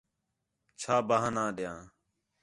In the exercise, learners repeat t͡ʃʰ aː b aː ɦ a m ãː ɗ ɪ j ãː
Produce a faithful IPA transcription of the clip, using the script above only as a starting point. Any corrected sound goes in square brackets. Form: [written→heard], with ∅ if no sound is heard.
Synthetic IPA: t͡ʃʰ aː b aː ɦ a [m→n] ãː ɗ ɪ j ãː